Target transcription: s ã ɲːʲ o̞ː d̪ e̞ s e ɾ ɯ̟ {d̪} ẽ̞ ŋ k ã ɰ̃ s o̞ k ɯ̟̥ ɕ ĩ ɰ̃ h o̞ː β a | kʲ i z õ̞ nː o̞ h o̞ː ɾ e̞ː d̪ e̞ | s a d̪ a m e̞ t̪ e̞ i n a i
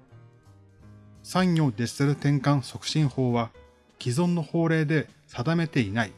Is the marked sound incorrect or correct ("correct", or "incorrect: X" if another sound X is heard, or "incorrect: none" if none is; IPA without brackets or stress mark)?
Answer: incorrect: t̪